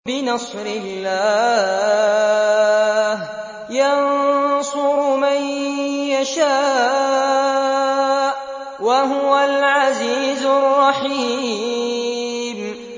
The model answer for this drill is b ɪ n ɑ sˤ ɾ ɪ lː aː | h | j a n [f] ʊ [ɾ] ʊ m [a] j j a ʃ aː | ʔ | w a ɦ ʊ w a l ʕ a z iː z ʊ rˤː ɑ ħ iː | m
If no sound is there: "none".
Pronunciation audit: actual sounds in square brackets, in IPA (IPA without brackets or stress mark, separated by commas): s, ɾ, a